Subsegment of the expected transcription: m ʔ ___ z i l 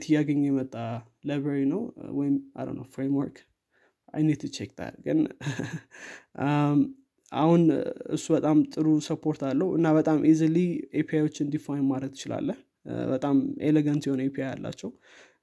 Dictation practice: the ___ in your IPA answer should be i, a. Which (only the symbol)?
i